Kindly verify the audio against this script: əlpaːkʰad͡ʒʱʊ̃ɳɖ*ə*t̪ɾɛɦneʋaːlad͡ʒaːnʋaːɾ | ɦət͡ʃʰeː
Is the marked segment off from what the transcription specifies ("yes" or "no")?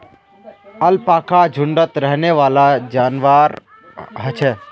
no